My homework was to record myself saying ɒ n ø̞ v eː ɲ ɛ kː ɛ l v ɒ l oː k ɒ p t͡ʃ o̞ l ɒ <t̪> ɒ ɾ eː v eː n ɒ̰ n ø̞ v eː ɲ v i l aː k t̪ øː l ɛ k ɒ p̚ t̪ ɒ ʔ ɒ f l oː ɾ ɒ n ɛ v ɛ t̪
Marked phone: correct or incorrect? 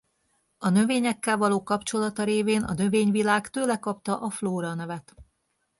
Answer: correct